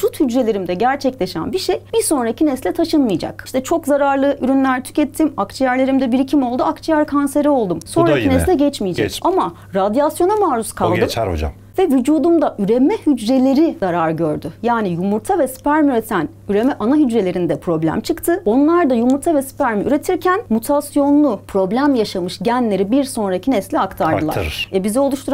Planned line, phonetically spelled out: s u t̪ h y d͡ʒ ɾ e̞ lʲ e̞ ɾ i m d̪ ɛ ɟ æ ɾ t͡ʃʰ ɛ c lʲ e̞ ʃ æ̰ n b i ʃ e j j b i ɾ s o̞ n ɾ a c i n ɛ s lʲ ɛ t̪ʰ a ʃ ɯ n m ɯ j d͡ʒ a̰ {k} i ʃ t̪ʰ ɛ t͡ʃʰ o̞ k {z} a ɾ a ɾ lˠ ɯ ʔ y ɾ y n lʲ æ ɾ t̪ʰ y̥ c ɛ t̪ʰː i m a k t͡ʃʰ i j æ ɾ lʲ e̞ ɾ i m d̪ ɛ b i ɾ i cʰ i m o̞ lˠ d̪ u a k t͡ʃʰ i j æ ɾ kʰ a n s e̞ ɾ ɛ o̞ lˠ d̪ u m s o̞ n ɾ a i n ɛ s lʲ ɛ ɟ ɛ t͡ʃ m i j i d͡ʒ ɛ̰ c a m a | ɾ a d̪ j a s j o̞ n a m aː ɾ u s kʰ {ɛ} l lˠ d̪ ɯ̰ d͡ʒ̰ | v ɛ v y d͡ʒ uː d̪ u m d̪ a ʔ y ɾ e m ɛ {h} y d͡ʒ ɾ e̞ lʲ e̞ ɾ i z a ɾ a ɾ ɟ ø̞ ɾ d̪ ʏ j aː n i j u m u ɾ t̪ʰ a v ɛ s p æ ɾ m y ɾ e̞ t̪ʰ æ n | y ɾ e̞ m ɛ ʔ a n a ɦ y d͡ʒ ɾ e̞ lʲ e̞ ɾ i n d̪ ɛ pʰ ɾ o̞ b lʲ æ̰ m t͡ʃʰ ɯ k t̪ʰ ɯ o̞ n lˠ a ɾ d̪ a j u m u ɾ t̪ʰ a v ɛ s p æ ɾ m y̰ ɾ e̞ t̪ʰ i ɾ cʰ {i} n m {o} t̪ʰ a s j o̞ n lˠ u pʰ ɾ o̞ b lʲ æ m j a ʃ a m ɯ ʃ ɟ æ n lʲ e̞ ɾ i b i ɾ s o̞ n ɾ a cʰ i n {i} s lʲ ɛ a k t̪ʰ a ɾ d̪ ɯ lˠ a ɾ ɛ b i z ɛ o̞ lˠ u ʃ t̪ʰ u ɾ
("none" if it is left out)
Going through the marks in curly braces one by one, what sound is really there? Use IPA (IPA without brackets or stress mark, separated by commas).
k, z, a, h, æ, u, ɛ